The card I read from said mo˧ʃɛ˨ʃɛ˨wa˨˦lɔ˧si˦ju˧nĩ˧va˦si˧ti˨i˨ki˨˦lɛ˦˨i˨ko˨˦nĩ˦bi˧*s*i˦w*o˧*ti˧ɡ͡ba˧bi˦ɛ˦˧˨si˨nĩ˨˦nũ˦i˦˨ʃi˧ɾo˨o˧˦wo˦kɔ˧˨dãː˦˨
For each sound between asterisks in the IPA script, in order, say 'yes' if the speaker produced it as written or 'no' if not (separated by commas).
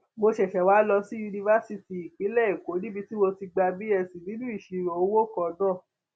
no, yes